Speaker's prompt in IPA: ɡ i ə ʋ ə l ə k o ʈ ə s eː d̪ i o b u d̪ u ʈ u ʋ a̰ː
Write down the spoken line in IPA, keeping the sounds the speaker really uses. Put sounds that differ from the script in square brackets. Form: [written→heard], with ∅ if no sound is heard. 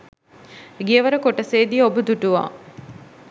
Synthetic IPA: ɡ i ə ʋ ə [l→ɾ] ə k o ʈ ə s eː d̪ i o b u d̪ u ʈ u ʋ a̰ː